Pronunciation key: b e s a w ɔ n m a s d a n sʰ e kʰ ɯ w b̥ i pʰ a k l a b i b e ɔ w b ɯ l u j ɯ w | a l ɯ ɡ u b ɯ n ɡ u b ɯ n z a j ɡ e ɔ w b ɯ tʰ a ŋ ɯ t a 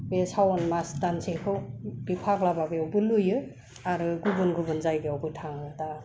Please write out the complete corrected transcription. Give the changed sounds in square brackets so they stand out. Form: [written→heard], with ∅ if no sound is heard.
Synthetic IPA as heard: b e s a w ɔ n m a s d a n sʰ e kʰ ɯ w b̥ i pʰ a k l a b [i→a] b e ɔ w b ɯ l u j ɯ [w→∅] | a [l→ɾ] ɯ ɡ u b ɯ n ɡ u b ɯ n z a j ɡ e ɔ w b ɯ tʰ a ŋ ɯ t a